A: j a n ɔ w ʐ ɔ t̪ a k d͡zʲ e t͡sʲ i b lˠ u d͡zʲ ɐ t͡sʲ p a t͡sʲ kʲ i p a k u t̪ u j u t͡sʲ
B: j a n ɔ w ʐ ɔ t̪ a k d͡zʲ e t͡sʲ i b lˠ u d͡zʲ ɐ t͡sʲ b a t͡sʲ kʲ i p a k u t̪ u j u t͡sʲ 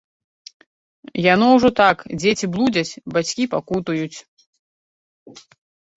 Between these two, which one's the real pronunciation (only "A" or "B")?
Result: B